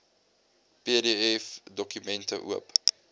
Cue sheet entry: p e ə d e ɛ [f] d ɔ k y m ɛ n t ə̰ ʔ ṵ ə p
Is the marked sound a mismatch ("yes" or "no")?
no